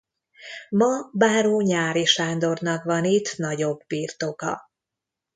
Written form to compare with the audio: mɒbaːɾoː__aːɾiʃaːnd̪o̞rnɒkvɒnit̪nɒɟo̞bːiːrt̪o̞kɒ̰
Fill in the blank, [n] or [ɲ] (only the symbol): ɲ